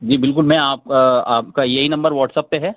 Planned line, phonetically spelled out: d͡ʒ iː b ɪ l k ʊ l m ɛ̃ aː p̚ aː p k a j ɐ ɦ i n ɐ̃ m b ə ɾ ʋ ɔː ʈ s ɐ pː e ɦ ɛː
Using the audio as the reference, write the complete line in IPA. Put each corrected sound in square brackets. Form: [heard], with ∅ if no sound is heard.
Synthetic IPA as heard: d͡ʒ iː b ɪ l k ʊ l m ɛ̃ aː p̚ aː p k a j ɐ ɦ i n ɐ̃ m b ə ɾ ʋ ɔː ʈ s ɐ pː e ɦ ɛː